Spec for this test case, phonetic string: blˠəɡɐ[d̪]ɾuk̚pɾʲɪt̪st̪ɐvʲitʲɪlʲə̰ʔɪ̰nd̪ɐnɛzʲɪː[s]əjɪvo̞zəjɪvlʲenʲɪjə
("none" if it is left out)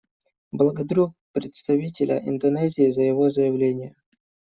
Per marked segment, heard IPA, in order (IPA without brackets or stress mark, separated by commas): d̪, z